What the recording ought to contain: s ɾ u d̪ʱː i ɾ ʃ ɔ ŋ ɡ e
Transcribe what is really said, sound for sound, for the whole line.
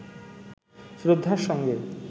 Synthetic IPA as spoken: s ɾ o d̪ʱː a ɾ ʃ ɔ ŋ ɡ e